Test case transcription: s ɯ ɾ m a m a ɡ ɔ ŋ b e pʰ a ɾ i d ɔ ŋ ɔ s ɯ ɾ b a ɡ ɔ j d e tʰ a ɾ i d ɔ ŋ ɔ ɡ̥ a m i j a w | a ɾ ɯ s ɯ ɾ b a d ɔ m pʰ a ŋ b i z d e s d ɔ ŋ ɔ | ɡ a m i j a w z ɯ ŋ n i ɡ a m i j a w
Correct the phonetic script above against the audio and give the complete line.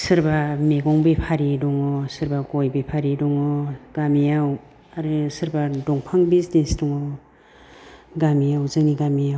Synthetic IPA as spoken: s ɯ ɾ b a m e ɡ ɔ ŋ b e pʰ a ɾ i d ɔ ŋ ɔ s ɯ ɾ b a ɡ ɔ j b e pʰ a ɾ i d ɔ ŋ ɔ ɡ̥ a m i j a w | a ɾ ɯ s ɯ ɾ b a d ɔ ŋ pʰ a ŋ b i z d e s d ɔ ŋ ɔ | ɡ a m i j a w z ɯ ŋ n i ɡ a m i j a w

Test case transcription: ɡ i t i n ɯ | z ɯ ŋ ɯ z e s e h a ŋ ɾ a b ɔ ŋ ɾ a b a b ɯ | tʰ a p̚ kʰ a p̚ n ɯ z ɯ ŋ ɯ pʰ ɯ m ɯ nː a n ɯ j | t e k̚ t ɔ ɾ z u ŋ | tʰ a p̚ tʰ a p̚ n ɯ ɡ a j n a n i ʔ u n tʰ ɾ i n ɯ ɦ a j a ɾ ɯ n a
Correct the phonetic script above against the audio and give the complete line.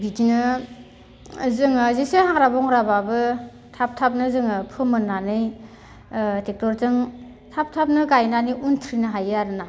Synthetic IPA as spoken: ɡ i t i n ɯ | z ɯ ŋ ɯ z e s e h a ŋ ɾ a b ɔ ŋ ɾ a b a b ɯ | tʰ a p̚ tʰ a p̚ n ɯ z ɯ ŋ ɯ pʰ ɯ m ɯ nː a n ɯ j | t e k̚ t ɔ ɾ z ɯ ŋ | tʰ a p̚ tʰ a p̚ n ɯ ɡ a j n a n i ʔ u n tʰ ɾ i n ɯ ɦ a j a ɾ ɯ n a

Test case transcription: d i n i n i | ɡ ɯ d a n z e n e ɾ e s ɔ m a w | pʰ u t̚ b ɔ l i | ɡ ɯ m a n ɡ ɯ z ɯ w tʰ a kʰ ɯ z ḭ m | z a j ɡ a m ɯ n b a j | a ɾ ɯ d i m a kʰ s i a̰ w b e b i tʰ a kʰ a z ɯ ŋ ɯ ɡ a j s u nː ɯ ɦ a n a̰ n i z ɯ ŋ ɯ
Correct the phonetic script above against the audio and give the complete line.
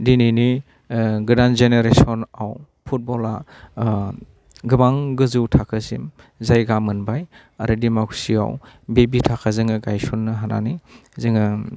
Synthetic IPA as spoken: d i n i n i | ɡ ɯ d a n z e n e ɾ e s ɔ n a w | pʰ u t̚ b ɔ l a | ɡ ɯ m a ŋ ɡ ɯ z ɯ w tʰ a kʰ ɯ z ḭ m | z a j ɡ a m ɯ n b a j | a ɾ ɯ d i m a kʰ s i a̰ w b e b i tʰ a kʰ a z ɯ ŋ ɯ ɡ a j s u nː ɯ ɦ a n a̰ n i z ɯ ŋ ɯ

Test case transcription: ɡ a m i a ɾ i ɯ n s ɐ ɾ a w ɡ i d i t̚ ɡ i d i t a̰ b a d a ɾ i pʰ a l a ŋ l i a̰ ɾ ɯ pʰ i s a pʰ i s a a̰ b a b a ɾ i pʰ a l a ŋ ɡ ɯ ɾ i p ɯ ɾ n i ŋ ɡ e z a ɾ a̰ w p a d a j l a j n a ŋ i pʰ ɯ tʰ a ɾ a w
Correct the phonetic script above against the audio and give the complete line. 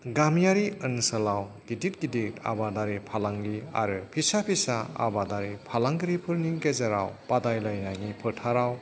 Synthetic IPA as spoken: ɡ a m j a ɾ i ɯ n s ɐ l a w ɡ i d i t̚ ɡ i d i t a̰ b a d a ɾ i pʰ a l a ŋ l i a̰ ɾ ɯ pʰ i s a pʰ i s a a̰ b a d a ɾ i pʰ a l a ŋ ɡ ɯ ɾ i pʰ ɯ ɾ n i ŋ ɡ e z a ɾ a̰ w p a d a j l a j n a ŋ i pʰ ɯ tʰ a ɾ a w

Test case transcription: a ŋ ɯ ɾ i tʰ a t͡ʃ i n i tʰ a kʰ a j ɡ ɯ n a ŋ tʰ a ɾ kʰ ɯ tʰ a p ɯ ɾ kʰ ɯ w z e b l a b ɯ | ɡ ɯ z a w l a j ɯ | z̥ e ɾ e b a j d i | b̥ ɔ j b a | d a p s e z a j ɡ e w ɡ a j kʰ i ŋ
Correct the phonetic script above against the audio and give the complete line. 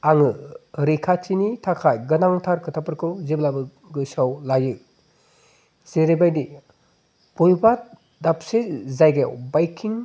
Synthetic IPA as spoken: a ŋ ɯ ɾ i kʰ a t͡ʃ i n i tʰ a kʰ a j ɡ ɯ n a ŋ tʰ a ɾ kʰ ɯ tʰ a p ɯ ɾ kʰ ɯ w z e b l a b ɯ | ɡ ɯ s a w l a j ɯ | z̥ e ɾ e b a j d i | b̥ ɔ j b a | d a p s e z a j ɡ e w b a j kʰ i ŋ

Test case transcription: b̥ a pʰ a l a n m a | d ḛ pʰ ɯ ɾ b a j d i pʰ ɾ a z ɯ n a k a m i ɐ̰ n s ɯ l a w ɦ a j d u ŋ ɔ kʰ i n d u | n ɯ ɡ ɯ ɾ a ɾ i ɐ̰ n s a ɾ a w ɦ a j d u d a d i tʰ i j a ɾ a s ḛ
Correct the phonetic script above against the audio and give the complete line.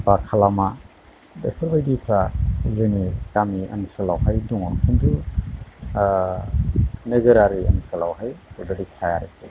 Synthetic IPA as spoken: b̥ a kʰ a l a m a | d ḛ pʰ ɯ ɾ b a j d i pʰ ɾ a z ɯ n i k a m i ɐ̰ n s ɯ l a w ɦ a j d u ŋ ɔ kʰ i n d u | n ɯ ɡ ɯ ɾ a ɾ i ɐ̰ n s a l a w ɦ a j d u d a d i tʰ a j a ɾ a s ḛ

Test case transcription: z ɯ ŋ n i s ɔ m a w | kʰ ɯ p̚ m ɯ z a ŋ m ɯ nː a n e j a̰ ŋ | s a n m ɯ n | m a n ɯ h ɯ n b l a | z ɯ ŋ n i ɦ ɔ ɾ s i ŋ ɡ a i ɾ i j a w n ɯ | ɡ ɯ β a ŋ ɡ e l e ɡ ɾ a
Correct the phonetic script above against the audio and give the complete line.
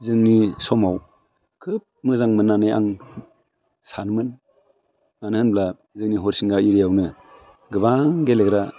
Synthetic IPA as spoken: z ɯ ŋ n i s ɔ m a w | kʰ ɯ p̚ m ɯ z a ŋ m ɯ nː a n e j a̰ ŋ | s a n m ɯ n | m a n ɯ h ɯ n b l a | z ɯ ŋ n i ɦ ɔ ɾ s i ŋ ɡ a i ɾ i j a w n ɯ | ɡ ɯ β a ŋ ɡ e l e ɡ ɾ a

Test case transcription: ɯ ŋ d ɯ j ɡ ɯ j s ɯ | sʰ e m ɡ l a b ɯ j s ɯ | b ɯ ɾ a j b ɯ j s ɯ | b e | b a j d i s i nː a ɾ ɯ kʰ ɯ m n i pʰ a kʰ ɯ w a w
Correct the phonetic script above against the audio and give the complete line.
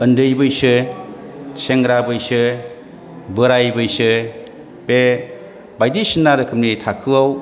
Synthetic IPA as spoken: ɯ n d ɯ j b ɯ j s ɯ | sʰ e ŋ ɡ ɾ a b ɯ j s ɯ | b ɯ ɾ a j b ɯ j s ɯ | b e | b a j d i s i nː a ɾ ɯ kʰ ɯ m n i tʰ a kʰ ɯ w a w

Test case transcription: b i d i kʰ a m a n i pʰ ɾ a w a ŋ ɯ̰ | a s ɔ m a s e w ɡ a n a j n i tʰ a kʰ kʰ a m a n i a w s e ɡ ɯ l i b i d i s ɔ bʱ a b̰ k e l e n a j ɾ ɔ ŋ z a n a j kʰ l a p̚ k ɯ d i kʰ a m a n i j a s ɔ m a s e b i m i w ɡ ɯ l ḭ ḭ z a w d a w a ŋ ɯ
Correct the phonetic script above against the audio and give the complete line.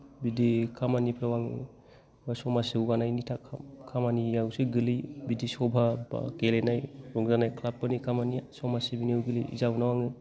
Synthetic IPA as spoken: b i d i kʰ a m a n i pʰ ɾ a w a ŋ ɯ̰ | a s ɔ m a s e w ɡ a n a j n i tʰ a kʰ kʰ a m a n i a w s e ɡ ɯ l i b i d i s ɔ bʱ a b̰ k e l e n a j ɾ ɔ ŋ z a n a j kʰ l a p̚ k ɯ n i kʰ a m a n i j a s ɔ m a s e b i n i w ɡ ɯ l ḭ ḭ z a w n a w a ŋ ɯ

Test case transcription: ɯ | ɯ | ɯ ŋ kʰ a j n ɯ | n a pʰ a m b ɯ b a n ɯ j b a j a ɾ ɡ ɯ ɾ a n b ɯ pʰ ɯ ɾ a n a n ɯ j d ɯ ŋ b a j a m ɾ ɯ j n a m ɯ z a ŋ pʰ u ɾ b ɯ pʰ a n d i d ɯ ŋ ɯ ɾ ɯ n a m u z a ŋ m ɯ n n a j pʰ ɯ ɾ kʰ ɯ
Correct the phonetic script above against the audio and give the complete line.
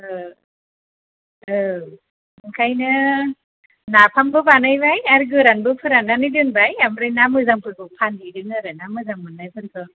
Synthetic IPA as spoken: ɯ | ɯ | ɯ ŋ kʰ a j n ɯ | n a pʰ a m b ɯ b a n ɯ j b a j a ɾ ɡ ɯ ɾ a n b ɯ pʰ ɯ ɾ a n a n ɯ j d ɯ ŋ b a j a m ɾ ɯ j n a m ɯ z a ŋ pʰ ɯ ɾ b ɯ pʰ a n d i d ɯ ŋ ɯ ɾ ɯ n a m ɯ z a ŋ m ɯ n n a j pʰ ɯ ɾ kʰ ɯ

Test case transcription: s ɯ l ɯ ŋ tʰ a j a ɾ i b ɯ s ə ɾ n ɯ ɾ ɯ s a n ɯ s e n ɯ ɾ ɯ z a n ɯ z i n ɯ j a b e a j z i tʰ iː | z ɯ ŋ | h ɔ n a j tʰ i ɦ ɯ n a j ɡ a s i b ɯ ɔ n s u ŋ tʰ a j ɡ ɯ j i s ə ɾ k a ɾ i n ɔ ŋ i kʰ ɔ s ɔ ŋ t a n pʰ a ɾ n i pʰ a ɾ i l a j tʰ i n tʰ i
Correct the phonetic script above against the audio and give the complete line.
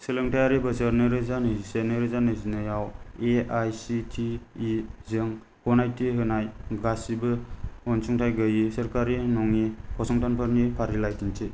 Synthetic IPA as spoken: s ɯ l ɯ ŋ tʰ a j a ɾ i b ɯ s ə ɾ n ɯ ɾ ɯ z a n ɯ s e n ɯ ɾ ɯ z a n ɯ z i n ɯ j a w e a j s i tʰ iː | z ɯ ŋ | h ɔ n a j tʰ i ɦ ɯ n a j ɡ a s i b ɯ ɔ n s u ŋ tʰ a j ɡ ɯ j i s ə ɾ k a ɾ i n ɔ ŋ i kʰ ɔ s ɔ ŋ t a n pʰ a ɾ n i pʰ a ɾ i l a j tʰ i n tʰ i

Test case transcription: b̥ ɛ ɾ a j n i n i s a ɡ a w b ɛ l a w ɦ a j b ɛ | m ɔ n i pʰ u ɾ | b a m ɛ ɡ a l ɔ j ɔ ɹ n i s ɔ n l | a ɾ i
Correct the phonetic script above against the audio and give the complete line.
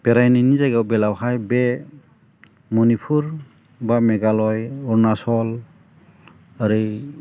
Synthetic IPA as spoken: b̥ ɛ ɾ a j n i n i z a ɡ a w b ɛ l a w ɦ a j b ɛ | m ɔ n i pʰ u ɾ | b a m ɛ ɡ a l ɔ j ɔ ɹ n a s ɔ l | a ɾ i

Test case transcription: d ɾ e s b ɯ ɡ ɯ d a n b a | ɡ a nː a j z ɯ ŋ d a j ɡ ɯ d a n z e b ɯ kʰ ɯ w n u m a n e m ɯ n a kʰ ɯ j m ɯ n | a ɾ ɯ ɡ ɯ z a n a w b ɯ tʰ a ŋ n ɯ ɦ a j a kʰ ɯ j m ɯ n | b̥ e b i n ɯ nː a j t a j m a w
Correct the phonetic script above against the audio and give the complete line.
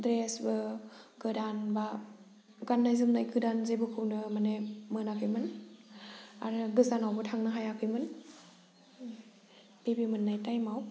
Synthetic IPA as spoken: d ɾ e s b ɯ ɡ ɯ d a n b a | ɡ a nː a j z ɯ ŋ n a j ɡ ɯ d a n z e b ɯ kʰ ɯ w n ɯ m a n e m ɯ n a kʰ ɯ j m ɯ n | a ɾ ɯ ɡ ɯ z a n a w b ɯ tʰ a ŋ n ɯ ɦ a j a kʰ ɯ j m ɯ n | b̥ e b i m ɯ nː a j t a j m a w

